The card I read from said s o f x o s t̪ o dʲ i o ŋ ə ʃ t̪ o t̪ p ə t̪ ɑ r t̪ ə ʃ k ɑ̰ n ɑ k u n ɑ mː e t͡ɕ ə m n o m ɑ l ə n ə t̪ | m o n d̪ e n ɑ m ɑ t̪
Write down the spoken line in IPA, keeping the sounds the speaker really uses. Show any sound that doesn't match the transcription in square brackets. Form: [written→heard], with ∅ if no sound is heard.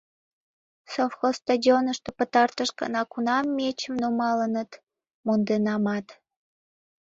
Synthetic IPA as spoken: s o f x o s t̪ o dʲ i o [ŋ→n] ə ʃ t̪ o [t̪→∅] p ə t̪ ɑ r t̪ ə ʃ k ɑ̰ n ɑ k u n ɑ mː e t͡ɕ ə m n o m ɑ l ə n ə t̪ | m o n d̪ e n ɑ m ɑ t̪